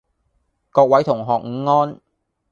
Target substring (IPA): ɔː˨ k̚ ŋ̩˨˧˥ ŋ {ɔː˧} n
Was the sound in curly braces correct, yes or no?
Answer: no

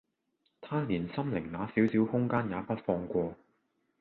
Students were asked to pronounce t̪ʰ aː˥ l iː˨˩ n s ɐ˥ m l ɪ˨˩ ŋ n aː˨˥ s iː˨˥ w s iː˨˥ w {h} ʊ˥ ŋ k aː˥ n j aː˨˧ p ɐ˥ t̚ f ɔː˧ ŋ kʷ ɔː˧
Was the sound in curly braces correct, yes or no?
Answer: yes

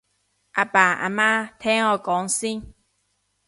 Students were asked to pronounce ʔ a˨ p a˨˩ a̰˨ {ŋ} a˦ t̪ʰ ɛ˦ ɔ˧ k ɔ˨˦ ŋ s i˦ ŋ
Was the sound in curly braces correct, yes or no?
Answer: no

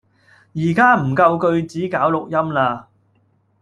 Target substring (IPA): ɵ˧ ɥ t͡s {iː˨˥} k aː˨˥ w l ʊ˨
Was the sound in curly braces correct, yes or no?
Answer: yes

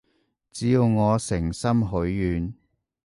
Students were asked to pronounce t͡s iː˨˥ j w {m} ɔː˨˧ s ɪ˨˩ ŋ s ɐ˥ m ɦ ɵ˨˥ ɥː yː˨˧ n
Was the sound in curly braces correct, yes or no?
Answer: no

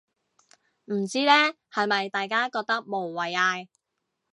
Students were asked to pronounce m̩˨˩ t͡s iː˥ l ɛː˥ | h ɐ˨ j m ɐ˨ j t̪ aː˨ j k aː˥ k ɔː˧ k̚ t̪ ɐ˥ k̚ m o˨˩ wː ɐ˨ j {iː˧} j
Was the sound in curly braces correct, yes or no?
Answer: no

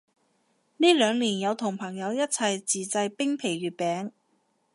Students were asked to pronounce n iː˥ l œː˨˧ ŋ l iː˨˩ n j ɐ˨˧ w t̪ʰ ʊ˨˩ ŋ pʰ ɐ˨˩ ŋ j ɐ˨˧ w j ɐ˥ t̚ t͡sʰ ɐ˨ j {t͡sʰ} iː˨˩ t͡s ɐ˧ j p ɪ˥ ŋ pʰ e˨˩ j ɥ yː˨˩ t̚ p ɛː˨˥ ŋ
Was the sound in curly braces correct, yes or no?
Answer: no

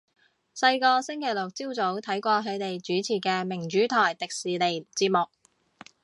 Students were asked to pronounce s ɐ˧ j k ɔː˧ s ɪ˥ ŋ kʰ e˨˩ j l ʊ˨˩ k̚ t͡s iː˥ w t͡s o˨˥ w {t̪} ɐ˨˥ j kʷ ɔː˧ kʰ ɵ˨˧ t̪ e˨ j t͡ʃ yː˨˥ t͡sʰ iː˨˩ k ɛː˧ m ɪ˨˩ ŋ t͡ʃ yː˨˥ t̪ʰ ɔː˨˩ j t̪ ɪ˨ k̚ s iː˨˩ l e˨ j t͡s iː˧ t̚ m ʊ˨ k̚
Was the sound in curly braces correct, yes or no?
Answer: no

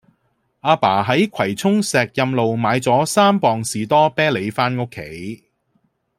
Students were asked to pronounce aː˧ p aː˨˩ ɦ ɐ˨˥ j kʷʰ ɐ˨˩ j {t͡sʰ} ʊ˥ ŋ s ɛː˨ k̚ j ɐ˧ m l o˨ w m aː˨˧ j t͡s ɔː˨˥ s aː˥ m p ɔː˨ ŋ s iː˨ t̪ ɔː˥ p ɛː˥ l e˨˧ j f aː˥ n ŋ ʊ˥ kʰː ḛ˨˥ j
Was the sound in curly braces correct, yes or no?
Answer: yes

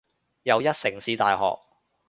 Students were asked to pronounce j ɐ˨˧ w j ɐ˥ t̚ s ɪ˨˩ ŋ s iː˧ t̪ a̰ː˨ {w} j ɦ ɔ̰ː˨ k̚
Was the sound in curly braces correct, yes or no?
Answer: no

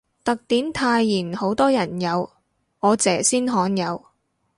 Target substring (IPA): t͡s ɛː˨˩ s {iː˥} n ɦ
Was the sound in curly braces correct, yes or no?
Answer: yes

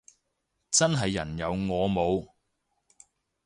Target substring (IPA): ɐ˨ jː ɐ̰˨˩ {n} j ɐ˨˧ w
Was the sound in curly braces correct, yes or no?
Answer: yes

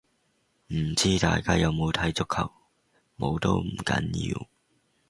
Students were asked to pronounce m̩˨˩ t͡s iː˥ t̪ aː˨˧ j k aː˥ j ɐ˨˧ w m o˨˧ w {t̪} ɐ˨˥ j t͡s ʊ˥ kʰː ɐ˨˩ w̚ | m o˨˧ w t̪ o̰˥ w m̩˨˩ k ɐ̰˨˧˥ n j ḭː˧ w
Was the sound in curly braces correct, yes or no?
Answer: no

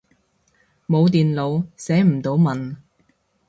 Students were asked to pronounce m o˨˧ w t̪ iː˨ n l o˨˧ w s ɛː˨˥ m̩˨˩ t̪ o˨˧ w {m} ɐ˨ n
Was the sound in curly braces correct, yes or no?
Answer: yes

